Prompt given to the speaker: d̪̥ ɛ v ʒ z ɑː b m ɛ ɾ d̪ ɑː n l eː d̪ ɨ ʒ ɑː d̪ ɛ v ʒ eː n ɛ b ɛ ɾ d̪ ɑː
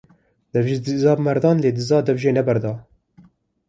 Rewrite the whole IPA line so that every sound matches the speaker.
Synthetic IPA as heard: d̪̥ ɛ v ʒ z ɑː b m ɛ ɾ d̪ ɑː n l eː d̪ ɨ z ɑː d̪ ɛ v ʒ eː n ɛ b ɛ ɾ d̪ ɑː